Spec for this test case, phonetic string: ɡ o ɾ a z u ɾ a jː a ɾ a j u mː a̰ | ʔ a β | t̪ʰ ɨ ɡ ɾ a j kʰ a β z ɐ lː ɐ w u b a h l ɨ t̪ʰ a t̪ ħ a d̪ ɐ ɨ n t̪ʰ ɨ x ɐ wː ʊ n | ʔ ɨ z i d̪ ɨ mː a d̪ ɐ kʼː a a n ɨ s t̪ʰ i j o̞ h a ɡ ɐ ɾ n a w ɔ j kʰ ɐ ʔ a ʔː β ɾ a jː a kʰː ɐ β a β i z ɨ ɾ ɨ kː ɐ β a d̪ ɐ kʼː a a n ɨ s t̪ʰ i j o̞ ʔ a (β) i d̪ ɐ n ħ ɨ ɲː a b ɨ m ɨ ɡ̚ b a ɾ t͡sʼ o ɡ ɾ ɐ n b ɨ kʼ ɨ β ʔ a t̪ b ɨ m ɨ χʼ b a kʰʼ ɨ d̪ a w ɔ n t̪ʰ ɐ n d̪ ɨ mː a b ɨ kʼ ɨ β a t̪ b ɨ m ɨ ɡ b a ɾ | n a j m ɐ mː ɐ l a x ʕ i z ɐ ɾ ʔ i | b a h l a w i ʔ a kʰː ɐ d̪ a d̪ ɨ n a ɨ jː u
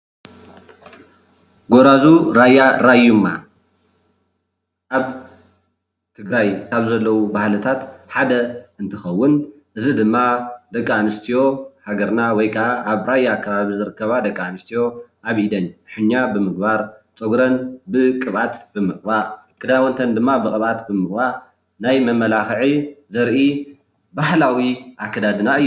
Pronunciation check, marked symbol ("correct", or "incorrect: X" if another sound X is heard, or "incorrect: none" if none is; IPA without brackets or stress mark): correct